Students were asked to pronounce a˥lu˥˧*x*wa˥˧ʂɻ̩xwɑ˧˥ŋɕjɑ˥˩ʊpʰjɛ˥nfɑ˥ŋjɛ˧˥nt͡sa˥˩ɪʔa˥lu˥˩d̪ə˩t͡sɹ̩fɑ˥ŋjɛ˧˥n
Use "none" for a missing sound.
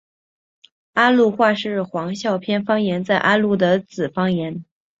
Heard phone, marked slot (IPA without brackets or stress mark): x